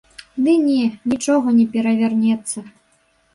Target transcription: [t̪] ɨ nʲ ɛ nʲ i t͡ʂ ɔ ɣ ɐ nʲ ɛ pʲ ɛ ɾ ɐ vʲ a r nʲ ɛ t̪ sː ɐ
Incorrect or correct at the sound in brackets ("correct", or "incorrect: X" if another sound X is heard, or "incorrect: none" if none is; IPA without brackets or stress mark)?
incorrect: d̪